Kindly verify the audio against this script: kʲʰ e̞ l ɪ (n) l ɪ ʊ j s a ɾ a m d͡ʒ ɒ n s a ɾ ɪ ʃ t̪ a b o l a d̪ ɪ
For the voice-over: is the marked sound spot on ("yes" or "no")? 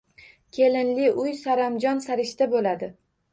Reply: yes